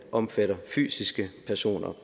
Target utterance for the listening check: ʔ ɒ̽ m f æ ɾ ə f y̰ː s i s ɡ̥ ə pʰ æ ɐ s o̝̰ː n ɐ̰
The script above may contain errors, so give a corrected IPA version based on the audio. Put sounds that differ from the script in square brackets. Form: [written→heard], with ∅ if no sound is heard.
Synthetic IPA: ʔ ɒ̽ m f æ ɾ [ə→ɐ] f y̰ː s i s ɡ̥ ə pʰ æ ɐ s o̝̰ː n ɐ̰

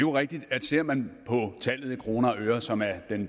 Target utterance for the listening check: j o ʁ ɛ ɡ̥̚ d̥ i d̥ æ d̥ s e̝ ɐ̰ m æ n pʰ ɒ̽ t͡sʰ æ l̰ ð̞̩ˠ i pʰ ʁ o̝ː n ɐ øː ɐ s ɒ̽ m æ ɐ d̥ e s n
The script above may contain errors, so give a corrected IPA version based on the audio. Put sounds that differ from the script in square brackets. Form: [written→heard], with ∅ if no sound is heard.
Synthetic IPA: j o ʁ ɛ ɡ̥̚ d̥ i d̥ æ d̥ s e̝ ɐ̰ m æ n pʰ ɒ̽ t͡sʰ æ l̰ ð̞̩ˠ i [pʰ→kʰ] ʁ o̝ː n ɐ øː ɐ s ɒ̽ m æ ɐ d̥ e [s→∅] n

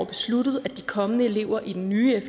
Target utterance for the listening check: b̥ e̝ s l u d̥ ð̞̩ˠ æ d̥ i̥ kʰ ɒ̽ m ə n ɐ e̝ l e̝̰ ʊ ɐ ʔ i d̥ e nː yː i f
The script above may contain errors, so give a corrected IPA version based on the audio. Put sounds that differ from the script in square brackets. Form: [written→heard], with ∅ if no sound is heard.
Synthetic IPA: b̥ e̝ s l u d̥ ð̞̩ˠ æ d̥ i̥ kʰ ɒ̽ m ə n [ɐ→ə] e̝ l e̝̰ ʊ ɐ ʔ i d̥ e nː yː [i→e] f

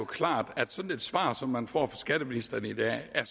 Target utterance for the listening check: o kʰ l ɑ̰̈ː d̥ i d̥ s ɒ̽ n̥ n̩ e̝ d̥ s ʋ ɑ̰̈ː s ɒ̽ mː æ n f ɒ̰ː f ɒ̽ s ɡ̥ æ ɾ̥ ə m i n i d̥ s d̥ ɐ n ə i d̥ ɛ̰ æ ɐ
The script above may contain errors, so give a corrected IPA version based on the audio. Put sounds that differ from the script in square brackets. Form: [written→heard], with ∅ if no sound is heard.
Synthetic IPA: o kʰ l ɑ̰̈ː d̥ [i→æ] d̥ s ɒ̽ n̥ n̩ e̝ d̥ s ʋ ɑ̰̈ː s ɒ̽ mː æ n f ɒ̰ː f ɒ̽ s ɡ̥ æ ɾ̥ ə m i n i [d̥→∅] s d̥ ɐ n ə i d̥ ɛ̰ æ ɐ

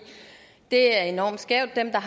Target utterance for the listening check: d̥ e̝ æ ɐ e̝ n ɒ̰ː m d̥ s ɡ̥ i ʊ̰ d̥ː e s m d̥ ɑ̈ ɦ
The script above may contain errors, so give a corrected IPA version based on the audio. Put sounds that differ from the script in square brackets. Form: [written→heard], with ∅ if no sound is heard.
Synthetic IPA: d̥ e̝ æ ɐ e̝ n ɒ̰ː m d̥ s ɡ̥ [i→ɛ] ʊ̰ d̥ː e [s→∅] m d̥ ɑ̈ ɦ

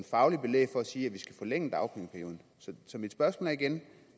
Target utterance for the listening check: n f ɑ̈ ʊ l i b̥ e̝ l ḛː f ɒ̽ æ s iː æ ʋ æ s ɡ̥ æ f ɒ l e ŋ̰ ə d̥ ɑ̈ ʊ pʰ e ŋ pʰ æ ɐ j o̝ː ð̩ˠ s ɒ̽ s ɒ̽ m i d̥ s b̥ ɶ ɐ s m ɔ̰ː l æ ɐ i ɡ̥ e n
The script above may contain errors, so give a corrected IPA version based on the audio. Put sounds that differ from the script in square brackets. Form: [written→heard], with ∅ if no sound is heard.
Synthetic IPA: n f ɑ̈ ʊ l i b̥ e̝ l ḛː f ɒ̽ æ s iː æ ʋ [æ→i] s ɡ̥ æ f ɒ l e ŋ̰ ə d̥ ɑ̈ ʊ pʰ e ŋ pʰ æ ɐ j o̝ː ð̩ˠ s ɒ̽ s ɒ̽ m i d̥ s b̥ ɶ ɐ s m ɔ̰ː l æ ɐ i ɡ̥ e n

